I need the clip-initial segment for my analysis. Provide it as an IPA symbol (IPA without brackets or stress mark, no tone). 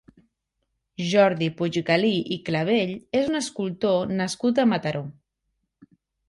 ʒ